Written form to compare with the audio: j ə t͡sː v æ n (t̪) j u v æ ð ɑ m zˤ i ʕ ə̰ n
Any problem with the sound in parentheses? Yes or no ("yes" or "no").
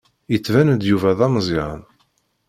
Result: yes